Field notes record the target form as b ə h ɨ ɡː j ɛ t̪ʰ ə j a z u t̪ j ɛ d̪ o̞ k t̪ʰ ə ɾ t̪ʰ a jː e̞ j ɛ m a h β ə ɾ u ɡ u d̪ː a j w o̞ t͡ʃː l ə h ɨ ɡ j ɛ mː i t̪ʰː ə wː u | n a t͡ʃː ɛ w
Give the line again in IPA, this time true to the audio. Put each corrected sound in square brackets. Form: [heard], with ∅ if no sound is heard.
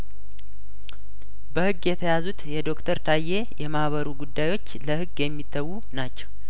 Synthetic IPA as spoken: b ə h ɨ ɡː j ɛ t̪ʰ ə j a z u t̪ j ɛ d̪ o̞ k t̪ʰ ə ɾ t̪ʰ a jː e̞ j ɛ m a h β ə ɾ u ɡ u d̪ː a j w o̞ t͡ʃː l ə h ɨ ɡ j ɛ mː i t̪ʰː ə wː u | n a t͡ʃː ɛ w

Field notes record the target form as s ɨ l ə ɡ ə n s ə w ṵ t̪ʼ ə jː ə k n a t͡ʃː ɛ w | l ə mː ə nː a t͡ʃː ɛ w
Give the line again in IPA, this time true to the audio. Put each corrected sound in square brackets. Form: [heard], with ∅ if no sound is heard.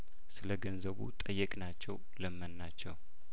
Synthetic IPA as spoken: s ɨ l ə ɡ ə n [z] ə [β] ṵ t̪ʼ ə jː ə [kʼ] n a t͡ʃː ɛ w | l ə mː ə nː a t͡ʃː ɛ w

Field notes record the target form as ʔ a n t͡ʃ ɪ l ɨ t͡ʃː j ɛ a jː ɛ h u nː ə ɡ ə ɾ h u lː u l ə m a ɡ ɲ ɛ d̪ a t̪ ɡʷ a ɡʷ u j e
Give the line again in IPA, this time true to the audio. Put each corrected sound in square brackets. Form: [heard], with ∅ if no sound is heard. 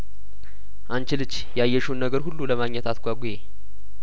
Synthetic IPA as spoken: ʔ a n t͡ʃ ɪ l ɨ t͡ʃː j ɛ a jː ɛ [ʃ] u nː ə ɡ ə ɾ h u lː u l ə m a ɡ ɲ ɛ [t̪] a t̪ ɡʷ a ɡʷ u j e

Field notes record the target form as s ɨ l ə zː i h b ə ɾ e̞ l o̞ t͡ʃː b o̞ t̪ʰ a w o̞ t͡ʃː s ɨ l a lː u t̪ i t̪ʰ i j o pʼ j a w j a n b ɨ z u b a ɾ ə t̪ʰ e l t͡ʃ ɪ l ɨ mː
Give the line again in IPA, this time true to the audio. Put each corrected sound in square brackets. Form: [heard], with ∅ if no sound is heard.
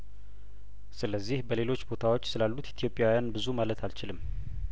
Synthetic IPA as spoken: s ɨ l ə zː i h b ə [l] e̞ l o̞ t͡ʃː b o̞ t̪ʰ a w o̞ t͡ʃː s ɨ l a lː u t̪ i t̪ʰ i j o pʼ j a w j a n b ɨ z u [m] a [l] ə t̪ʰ [a] l t͡ʃ ɪ l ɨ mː

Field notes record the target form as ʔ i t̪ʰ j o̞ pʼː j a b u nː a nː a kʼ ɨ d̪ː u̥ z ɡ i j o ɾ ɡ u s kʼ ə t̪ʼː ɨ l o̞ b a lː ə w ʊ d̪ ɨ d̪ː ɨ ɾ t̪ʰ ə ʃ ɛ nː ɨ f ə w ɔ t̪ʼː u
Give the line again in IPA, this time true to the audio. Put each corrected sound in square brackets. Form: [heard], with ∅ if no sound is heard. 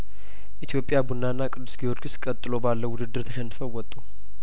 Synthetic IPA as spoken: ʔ i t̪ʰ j o̞ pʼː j a b u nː a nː a kʼ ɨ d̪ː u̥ [s] ɡ i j o ɾ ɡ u s kʼ ə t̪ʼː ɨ l o̞ b a lː ə w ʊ d̪ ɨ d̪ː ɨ ɾ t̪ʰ ə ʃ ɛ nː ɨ f ə w ɔ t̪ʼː u

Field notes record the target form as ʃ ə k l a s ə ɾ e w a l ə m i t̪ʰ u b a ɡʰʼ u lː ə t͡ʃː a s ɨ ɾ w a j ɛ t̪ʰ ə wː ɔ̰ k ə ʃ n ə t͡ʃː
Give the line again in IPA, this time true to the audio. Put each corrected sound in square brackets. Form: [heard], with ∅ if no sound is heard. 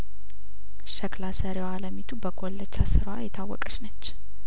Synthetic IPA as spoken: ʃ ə k l a s ə ɾ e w a l ə m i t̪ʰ u b [ə] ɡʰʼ [o] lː ə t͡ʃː a s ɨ ɾ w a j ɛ t̪ʰ [a] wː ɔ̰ [kʼ] ə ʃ n ə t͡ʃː

